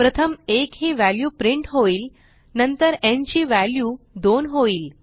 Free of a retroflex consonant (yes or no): no